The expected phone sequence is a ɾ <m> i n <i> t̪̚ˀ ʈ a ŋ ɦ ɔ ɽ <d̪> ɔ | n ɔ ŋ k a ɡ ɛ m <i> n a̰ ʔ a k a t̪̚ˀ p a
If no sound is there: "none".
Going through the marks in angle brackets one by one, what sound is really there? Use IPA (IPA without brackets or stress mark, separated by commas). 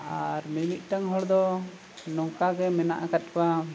m, i, d̪, ɛ